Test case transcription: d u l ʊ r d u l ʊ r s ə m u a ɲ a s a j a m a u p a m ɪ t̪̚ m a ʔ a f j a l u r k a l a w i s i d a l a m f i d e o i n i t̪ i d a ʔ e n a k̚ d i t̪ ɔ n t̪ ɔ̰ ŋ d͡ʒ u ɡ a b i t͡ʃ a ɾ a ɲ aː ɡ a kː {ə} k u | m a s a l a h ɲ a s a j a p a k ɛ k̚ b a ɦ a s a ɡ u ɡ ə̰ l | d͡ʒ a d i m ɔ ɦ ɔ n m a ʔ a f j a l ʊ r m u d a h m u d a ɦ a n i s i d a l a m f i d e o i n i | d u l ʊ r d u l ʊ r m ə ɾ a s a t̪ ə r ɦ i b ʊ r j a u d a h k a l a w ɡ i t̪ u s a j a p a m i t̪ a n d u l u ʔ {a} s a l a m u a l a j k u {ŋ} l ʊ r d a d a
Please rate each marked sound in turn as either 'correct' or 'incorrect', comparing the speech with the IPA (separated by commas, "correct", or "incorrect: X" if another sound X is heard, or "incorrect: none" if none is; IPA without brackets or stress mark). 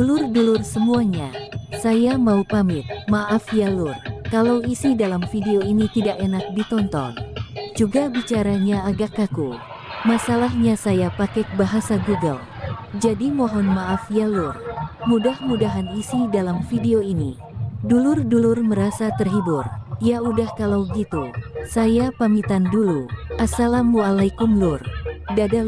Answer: incorrect: a, correct, incorrect: m